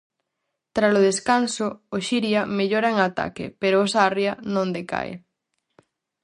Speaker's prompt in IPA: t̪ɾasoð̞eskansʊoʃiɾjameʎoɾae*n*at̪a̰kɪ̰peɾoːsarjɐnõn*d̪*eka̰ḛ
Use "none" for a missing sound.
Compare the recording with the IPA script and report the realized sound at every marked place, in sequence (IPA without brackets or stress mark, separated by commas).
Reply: ŋ, d̪